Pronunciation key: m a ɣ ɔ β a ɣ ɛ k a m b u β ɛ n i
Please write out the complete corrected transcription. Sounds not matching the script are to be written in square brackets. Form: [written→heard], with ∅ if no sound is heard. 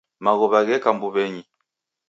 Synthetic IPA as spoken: m a ɣ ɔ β a ɣ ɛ k a m b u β ɛ [n→ɲ] i